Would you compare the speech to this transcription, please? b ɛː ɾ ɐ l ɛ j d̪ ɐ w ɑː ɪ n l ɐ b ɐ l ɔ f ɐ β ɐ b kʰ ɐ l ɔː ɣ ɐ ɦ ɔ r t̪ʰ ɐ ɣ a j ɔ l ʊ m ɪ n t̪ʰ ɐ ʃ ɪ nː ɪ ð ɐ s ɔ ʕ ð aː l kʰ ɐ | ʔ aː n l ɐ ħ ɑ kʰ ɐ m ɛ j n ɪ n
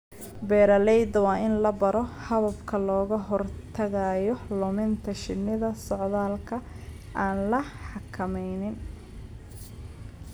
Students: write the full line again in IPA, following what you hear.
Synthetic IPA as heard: b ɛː ɾ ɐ l ɛ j d̪ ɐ w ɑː ɪ n l ɐ b ɐ ɾ ɔ h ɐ β ɐ b kʰ ɐ l ɔː ɣ ɐ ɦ ɔ r t̪ʰ ɐ ɣ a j ɔ l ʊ m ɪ n t̪ʰ ɐ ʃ ɪ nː ɪ ð ɐ s ɔ ʕ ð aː l kʰ ɐ | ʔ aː n l ɐ ħ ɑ kʰ ɐ m ɛ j n ɪ n